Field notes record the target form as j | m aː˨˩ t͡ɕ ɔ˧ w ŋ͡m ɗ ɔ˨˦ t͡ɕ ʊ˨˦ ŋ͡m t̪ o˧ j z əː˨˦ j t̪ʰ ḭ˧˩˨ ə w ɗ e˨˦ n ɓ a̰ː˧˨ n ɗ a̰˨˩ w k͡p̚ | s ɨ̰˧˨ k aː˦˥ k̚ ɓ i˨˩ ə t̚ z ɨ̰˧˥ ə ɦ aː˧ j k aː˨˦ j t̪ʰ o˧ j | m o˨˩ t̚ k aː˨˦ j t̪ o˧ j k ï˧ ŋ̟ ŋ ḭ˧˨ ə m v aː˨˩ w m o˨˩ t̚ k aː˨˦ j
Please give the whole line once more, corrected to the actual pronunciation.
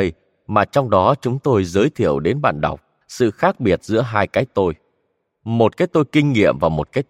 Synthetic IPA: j | m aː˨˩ t͡ɕ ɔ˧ w ŋ͡m ɗ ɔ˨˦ t͡ɕ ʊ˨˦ ŋ͡m t̪ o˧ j z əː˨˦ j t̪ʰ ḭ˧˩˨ ə w ɗ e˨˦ n ɓ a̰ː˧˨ n ɗ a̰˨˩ w k͡p̚ | s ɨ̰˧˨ x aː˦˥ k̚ ɓ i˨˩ ə t̚ z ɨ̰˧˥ ə ɦ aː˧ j k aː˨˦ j t̪ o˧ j | m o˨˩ t̚ k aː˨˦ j t̪ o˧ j k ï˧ ŋ̟ ŋ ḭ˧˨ ə m v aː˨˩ w m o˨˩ t̚ k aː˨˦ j